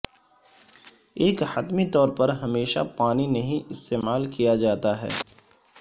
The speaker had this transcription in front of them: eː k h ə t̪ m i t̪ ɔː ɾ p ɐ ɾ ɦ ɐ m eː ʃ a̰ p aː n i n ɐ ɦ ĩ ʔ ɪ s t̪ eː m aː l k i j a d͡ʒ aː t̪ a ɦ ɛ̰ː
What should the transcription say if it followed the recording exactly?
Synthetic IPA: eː k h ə t̪ m i t̪ ɔː ɾ p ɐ ɾ ɦ ɐ m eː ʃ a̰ p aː n i n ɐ ɦ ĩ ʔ ɪ s t̪ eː m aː l k i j a d͡ʒ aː t̪ a ɦ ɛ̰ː